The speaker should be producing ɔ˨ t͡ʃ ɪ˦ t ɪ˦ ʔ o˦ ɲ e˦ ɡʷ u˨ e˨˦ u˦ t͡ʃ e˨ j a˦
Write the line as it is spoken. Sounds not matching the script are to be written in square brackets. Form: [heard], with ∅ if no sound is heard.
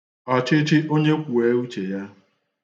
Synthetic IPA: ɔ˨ t͡ʃ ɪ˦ [t͡ʃ] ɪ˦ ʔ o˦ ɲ e˦ [kʷ] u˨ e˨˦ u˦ t͡ʃ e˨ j a˦